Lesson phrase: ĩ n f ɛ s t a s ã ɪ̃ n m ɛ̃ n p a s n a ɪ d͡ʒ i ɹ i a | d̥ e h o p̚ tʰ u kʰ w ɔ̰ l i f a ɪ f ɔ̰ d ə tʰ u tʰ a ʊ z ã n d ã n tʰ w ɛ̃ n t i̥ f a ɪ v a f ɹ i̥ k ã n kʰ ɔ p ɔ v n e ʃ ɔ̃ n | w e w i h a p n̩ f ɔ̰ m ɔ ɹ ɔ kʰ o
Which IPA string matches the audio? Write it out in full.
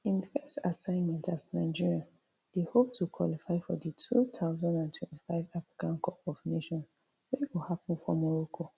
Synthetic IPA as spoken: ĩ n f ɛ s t a s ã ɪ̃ n m ɛ̃ n t a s n a ɪ d͡ʒ i ɹ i a | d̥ e h o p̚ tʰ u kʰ w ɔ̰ l i f a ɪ f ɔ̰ d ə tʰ u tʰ a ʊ z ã n d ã n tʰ w ɛ̃ n t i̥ f a ɪ v a f ɹ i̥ k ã n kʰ ɔ p ɔ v n e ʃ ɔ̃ n | w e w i h a p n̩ f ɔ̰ m ɔ ɹ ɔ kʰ o